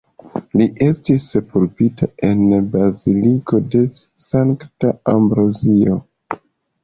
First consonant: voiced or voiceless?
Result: voiced